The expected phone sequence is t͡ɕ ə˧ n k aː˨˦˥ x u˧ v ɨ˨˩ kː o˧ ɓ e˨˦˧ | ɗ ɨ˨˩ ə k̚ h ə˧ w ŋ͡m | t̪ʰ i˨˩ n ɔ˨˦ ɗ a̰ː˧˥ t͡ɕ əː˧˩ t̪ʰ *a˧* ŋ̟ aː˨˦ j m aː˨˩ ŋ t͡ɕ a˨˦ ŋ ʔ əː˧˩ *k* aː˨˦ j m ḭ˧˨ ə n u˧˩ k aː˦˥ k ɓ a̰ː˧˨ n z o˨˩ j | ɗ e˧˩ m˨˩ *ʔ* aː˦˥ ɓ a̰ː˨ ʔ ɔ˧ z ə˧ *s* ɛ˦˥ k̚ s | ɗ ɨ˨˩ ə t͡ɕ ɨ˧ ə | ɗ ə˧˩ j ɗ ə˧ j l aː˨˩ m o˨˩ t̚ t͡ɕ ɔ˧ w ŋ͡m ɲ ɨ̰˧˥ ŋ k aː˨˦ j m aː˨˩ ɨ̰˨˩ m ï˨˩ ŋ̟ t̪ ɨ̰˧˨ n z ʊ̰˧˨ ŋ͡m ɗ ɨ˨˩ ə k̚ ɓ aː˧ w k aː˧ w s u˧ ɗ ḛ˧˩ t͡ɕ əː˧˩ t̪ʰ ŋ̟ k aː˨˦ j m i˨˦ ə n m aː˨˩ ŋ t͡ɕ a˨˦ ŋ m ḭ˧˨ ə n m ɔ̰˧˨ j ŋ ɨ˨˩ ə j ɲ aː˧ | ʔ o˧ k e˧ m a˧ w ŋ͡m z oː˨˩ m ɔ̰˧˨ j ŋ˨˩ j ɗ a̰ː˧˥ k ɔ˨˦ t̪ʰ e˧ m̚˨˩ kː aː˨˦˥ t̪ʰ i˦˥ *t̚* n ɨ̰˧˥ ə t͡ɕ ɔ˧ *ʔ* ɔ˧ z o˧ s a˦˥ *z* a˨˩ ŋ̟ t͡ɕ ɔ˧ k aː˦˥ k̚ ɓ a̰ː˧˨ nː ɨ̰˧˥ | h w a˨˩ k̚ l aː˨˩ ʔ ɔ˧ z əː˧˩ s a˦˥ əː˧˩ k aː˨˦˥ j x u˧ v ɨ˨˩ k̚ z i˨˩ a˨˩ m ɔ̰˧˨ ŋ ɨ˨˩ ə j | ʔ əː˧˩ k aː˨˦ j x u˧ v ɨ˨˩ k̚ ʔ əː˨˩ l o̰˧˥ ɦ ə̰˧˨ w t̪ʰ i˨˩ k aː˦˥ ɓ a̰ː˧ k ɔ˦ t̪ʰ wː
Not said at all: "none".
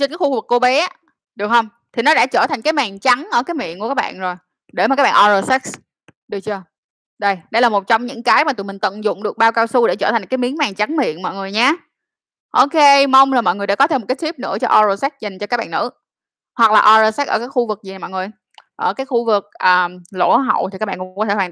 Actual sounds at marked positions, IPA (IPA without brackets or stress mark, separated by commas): a˨˩, k, k, s, p̚, ʔ, z